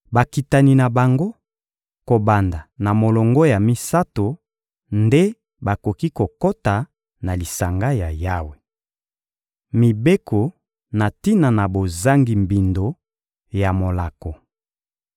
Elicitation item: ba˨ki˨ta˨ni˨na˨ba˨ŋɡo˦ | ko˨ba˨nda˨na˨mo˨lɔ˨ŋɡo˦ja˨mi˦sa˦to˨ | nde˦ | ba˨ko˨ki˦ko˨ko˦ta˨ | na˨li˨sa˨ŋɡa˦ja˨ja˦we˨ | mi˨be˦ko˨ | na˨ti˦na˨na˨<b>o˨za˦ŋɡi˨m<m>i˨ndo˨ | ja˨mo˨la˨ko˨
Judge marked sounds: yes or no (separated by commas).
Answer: yes, no